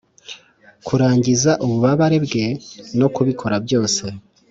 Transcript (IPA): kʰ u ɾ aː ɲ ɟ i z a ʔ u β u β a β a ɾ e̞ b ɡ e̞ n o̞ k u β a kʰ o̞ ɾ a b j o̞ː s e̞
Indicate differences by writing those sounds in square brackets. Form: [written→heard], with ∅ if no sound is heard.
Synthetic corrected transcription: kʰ u ɾ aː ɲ ɟ i z a ʔ u β u β a β a ɾ e̞ b ɡ e̞ n o̞ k u β [a→i] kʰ o̞ ɾ a b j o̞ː s e̞